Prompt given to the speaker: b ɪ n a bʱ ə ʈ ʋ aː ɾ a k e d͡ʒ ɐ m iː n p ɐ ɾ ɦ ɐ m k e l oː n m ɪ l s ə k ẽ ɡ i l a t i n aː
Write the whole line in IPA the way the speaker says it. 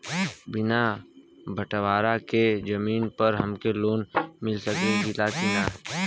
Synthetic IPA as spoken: b ɪ n a bʱ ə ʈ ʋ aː ɾ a k e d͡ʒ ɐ m iː n p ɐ ɾ ɦ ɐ m k e l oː n m ɪ l s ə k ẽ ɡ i l a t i n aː